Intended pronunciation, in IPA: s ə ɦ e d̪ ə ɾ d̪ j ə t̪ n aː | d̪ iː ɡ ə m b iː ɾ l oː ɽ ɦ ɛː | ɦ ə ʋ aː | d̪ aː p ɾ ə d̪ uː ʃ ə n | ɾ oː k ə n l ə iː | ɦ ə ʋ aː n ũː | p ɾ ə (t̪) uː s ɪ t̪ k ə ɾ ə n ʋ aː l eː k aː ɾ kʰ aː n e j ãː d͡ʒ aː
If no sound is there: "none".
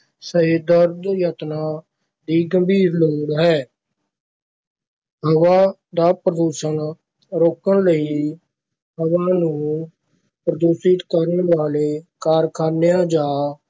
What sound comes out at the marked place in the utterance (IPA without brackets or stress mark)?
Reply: d̪